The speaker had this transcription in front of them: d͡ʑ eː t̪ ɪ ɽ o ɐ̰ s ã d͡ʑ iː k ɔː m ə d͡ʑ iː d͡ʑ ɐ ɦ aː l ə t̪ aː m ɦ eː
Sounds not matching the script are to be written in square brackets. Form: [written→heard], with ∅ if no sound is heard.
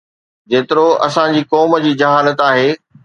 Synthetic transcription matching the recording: d͡ʑ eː t̪ ɪ [ɽ→ɾ] o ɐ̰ s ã d͡ʑ iː k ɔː m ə d͡ʑ iː d͡ʑ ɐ ɦ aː l ə t̪ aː [m→∅] ɦ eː